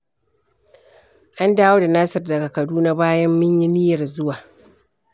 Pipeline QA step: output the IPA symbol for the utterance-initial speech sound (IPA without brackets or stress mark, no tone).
ʔ